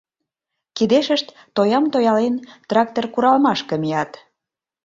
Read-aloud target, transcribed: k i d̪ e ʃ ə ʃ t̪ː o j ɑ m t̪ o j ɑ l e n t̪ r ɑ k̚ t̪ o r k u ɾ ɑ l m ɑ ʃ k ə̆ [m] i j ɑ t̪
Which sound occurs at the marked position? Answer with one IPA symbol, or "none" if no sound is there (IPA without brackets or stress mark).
m